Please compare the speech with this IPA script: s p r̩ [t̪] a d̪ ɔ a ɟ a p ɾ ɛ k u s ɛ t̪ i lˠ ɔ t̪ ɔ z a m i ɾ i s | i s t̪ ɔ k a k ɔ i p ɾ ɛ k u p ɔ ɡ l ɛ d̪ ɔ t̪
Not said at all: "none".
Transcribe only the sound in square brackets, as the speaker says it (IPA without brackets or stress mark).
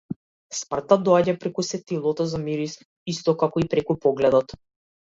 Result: t̪